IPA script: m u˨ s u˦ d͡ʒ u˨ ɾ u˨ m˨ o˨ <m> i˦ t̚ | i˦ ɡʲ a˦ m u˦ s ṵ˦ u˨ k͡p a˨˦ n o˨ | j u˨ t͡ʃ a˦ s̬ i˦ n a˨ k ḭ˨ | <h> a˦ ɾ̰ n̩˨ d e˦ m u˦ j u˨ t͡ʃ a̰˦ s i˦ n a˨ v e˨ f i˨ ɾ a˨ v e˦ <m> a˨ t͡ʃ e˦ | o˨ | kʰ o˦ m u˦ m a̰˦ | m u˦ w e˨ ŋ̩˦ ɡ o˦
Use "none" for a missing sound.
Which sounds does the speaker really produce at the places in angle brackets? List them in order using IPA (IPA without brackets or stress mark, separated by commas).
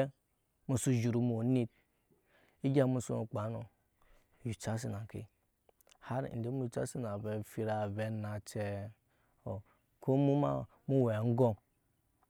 n, h, n